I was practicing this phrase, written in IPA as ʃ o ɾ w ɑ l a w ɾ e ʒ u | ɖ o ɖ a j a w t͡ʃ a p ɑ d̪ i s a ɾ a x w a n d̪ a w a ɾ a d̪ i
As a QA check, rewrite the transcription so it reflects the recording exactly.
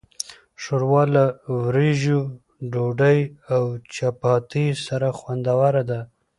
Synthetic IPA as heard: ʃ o ɾ w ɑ l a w ɾ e ʒ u | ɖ o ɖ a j a w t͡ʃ a p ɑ t̪ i s a ɾ a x w a n d̪ a w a ɾ a d̪ a